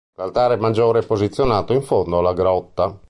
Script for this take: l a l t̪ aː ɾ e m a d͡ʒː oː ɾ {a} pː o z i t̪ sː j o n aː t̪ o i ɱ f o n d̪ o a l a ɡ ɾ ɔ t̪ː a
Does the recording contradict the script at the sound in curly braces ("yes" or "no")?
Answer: yes